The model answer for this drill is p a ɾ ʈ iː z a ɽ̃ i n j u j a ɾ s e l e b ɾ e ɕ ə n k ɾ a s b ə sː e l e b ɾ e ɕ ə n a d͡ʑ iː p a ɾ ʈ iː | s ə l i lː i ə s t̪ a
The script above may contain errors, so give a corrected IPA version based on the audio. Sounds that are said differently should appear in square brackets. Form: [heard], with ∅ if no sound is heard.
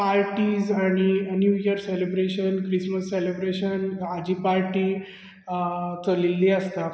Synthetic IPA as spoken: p a ɾ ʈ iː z a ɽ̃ i n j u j [ə] ɾ s e l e b ɾ e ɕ ə n k ɾ [i] s [m] ə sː e l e b ɾ e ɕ ə n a d͡ʑ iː p a ɾ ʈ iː | [t͡s] ə l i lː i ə s t̪ a